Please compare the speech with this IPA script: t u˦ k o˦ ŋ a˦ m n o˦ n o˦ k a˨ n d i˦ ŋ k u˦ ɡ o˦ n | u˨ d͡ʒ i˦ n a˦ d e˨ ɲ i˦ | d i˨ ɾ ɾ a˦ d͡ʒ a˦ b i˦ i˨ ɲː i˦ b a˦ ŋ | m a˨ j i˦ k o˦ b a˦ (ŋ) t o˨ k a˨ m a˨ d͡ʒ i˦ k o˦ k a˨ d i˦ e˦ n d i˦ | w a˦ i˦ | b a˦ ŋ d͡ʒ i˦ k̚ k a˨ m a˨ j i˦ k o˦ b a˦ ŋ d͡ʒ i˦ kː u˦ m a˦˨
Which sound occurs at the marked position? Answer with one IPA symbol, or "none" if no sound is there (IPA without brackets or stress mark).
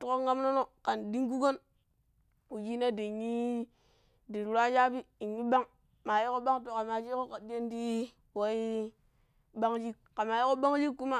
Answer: ŋ